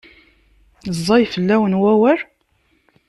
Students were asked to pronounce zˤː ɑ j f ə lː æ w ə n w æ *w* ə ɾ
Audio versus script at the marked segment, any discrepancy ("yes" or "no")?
no